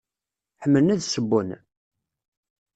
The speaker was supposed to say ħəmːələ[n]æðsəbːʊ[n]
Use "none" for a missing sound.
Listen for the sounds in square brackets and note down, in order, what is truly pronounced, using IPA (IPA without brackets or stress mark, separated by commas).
n, n